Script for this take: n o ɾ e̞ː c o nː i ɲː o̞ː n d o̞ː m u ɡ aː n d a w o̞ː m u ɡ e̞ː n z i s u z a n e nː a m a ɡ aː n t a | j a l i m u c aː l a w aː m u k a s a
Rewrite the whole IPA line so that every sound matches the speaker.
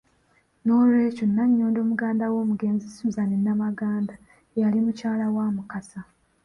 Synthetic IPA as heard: n o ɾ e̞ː c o nː a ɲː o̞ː n d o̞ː m u ɡ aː n d a w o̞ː m u ɡ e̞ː n z i s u z a n e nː a m a ɡ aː n d a | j a l i m u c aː l a w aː m u k a s a